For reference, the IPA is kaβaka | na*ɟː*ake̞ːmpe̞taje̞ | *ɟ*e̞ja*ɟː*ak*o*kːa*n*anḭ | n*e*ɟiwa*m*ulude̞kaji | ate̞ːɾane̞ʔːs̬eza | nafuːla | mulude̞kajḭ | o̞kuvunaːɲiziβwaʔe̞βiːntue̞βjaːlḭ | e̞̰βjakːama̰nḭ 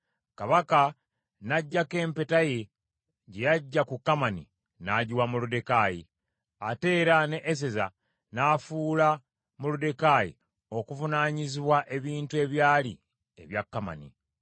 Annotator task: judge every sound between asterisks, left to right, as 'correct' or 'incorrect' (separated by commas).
correct, correct, correct, incorrect, incorrect, incorrect, correct